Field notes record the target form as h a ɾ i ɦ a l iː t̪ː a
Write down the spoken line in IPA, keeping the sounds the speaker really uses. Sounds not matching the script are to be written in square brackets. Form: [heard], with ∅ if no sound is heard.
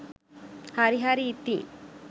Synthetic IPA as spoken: h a ɾ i ɦ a [ɾ] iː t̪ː [i]